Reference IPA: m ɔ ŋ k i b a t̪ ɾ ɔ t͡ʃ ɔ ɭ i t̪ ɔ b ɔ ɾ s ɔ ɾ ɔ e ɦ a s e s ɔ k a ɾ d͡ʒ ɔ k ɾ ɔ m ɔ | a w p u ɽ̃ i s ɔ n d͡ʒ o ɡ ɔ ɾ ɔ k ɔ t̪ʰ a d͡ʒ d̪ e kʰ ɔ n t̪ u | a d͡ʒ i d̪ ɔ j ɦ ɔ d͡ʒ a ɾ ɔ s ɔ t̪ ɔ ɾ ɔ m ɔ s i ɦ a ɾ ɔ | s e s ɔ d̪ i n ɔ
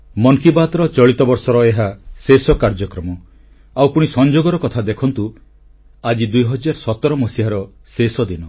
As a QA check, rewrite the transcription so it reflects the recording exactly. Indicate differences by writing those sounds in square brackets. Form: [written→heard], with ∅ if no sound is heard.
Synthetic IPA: m ɔ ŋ k i b a t̪ ɾ ɔ t͡ʃ ɔ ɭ i t̪ ɔ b ɔ ɾ s ɔ ɾ ɔ e ɦ a s e s ɔ k a ɾ d͡ʒ ɔ k ɾ ɔ m ɔ | a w p u ɽ̃ i s ɔ n d͡ʒ o ɡ ɔ ɾ ɔ k ɔ t̪ʰ a [d͡ʒ→∅] d̪ e kʰ ɔ n t̪ u | a d͡ʒ i d̪ [ɔ→u] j ɦ ɔ d͡ʒ a ɾ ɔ s ɔ t̪ ɔ ɾ ɔ m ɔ s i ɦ a ɾ ɔ | s e s ɔ d̪ i n ɔ